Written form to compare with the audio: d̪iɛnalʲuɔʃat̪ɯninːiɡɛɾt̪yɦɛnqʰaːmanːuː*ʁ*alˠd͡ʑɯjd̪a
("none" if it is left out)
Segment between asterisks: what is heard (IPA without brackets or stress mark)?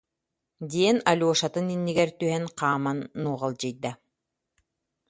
ʁ